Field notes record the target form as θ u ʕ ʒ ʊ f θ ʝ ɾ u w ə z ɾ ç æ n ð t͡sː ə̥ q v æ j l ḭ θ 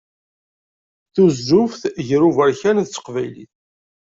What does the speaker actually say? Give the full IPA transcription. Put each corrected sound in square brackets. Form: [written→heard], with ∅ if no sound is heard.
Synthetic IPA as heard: θ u [ʕ→z] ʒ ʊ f θ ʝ ɾ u [w→v] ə [z→∅] ɾ ç æ n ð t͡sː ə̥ q v æ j l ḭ θ